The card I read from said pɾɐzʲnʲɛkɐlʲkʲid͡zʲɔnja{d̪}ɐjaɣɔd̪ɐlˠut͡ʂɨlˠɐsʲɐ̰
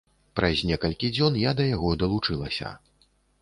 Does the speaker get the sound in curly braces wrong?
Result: no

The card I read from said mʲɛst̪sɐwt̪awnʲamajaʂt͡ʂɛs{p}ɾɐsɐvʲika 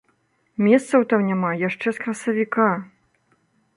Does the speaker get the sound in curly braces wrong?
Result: yes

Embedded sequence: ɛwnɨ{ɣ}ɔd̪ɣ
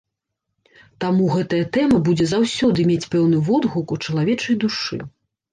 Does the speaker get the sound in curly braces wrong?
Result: yes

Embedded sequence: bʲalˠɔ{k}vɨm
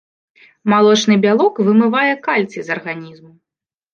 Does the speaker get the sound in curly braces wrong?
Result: no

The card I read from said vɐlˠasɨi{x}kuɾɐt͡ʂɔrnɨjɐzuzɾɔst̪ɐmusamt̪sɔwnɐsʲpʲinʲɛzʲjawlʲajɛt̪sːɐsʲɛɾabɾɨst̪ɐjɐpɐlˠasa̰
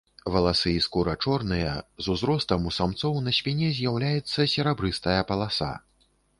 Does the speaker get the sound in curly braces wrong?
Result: yes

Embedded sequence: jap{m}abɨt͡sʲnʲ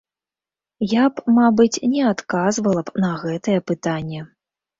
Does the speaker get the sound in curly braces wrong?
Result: no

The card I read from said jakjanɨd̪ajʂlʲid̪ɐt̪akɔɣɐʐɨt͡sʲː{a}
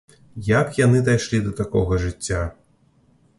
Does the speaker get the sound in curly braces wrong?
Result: no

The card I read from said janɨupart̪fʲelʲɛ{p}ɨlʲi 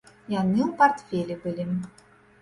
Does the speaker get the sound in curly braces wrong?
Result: yes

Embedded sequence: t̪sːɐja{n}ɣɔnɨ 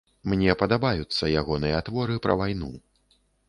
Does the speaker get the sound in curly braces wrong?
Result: yes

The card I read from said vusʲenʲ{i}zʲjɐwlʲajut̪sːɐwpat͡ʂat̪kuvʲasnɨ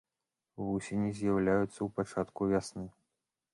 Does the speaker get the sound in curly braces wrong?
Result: no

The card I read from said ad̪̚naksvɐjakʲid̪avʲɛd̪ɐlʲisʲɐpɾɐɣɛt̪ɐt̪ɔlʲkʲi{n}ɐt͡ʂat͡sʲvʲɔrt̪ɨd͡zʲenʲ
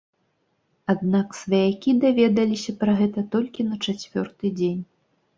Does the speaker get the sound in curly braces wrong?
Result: no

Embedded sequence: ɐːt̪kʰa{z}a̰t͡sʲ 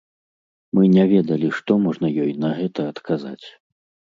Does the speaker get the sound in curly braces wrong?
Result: no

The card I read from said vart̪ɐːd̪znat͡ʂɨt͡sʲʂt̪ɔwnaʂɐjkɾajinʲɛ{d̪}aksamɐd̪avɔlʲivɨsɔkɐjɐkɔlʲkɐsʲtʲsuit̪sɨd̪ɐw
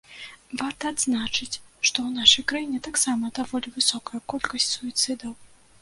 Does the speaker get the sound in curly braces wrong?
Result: yes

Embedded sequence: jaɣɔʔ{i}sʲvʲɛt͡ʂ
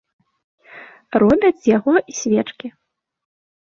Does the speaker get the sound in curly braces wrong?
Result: no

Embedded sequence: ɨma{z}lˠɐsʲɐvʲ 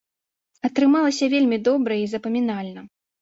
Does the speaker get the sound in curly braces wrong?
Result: yes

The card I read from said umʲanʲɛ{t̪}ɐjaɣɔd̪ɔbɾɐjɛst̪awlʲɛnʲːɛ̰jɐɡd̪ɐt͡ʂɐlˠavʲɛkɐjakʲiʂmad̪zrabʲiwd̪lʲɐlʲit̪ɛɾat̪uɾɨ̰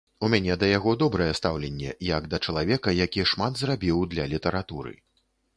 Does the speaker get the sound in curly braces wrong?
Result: yes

